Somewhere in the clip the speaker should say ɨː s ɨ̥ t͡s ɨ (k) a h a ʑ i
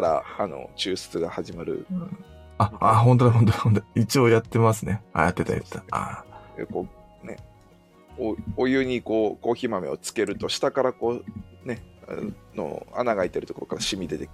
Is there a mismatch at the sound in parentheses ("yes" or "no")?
yes